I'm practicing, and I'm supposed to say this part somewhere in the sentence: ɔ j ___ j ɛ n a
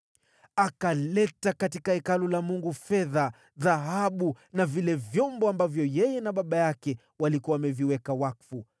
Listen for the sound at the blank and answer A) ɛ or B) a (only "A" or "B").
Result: A